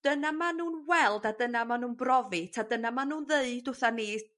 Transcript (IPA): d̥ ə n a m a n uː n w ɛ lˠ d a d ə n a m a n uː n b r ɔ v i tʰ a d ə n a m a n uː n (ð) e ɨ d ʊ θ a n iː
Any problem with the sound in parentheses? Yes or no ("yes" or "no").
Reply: no